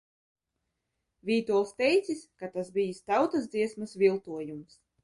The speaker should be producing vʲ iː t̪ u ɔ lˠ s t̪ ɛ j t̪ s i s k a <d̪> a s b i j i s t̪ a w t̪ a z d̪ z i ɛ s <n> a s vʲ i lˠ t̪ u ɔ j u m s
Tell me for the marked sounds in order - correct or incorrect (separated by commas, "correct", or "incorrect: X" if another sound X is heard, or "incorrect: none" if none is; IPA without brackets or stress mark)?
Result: incorrect: t̪, incorrect: m